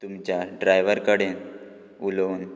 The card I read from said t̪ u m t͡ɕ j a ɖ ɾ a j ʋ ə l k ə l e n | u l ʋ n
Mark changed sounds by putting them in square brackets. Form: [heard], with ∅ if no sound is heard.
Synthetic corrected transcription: t̪ u m t͡ɕ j a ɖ ɾ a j ʋ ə [ɾ] k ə [ɽ] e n | u l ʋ n